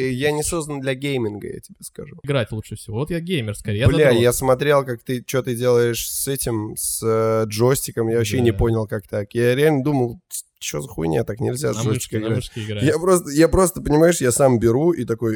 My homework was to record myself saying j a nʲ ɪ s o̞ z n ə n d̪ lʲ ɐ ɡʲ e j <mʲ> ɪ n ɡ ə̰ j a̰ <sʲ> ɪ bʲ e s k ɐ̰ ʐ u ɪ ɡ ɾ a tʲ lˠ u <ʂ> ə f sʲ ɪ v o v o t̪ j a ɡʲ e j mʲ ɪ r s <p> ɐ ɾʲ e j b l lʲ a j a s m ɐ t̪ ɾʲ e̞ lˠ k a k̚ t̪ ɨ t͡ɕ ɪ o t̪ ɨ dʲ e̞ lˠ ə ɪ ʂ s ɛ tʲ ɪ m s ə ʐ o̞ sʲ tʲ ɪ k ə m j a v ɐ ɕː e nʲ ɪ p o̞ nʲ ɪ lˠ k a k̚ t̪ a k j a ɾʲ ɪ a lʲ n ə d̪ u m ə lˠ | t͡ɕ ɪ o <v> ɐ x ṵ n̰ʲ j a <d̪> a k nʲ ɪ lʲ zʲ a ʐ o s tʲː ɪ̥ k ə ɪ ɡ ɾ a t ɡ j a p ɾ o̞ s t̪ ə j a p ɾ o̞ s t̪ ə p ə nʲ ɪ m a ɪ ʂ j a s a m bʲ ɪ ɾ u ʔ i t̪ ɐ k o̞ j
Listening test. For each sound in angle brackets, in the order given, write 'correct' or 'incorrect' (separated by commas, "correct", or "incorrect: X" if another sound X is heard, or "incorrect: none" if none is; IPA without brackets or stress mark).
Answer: correct, incorrect: tʲ, correct, incorrect: k, incorrect: z, incorrect: t̪